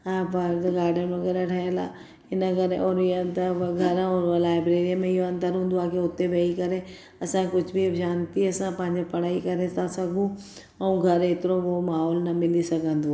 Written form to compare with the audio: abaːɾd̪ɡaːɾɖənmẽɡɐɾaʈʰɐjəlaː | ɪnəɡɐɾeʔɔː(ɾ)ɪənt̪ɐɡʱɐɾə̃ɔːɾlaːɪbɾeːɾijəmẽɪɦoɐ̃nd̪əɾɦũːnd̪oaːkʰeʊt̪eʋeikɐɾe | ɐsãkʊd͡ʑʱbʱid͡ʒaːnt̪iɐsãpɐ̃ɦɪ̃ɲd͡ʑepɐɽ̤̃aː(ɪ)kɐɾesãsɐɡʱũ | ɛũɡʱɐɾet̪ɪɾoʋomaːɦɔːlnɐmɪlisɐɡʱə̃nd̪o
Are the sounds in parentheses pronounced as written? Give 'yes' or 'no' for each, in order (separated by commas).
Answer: yes, no